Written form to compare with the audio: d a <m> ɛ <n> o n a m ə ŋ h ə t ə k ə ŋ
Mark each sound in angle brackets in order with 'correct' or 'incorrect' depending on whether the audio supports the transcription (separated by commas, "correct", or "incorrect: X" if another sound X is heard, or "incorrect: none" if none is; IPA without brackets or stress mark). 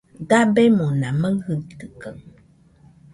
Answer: incorrect: b, incorrect: m